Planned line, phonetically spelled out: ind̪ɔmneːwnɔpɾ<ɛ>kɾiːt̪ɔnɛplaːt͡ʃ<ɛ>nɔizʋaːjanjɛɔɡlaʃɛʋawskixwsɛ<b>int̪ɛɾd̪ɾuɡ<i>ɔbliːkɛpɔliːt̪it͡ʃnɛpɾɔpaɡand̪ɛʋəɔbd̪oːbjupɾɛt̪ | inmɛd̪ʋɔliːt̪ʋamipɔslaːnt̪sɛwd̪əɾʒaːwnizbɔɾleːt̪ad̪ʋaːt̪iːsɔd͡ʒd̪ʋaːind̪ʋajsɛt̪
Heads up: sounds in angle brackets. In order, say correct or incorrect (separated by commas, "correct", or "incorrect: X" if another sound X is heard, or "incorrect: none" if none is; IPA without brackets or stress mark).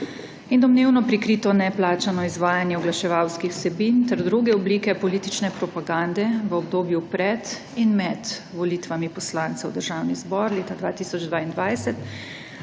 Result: incorrect: i, incorrect: a, correct, incorrect: ɛ